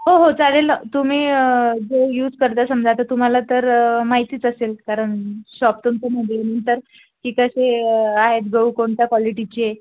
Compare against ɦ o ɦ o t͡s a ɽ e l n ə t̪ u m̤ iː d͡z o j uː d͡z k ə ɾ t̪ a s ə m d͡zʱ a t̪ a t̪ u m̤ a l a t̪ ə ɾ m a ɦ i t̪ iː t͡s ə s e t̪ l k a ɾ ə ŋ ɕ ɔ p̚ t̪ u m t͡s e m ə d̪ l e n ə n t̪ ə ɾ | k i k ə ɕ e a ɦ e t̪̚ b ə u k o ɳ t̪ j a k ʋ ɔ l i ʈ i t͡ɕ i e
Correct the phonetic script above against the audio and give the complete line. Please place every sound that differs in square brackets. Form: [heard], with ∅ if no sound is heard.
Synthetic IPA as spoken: ɦ o ɦ o t͡s a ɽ e l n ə t̪ u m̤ iː d͡z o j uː d͡z k ə ɾ t̪ a s ə m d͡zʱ a t̪ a t̪ u m̤ a l a t̪ ə ɾ m a ɦ i t̪ iː t͡s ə s e [∅] l k a ɾ ə [ɳ] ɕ ɔ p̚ t̪ u m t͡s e m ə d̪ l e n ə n t̪ ə ɾ | k i k ə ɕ e a ɦ e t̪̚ [ɡ] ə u k o ɳ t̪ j a k ʋ ɔ l i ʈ i t͡ɕ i e